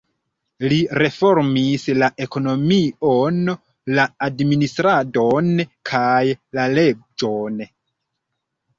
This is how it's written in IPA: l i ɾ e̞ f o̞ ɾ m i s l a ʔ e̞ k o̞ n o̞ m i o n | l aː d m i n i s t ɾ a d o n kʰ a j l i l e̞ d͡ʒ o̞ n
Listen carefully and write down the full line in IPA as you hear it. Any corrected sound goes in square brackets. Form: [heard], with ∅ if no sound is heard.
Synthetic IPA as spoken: l i ɾ e̞ f o̞ ɾ m i s l a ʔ e̞ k o̞ n o̞ m i o n | l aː d m i n i s t ɾ a d o n kʰ a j l [a] l e̞ d͡ʒ o̞ n